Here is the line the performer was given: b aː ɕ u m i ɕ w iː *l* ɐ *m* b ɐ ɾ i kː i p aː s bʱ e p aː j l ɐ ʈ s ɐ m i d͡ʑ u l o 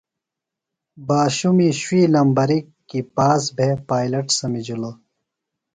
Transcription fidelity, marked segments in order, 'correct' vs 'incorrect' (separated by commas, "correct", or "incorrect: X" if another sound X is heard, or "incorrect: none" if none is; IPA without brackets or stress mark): correct, correct